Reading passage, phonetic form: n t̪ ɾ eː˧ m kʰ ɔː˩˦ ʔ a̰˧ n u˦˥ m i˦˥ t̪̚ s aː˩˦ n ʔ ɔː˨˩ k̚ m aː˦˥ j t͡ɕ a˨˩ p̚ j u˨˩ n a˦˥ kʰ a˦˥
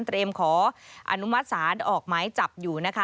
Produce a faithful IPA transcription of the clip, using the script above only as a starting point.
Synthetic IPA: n t̪ ɾ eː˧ m kʰ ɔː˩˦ ʔ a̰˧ n u˦˥ m a˦˥ t̪̚ s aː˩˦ n ʔ ɔː˨˩ k̚ m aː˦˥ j t͡ɕ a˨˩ p̚ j uː˨˩ n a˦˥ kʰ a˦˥